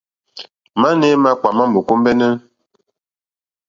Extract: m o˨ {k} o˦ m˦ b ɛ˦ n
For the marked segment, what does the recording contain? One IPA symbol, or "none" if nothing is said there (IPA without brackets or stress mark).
k